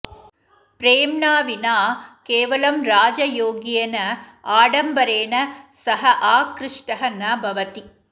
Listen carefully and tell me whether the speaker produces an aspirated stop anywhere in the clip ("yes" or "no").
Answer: no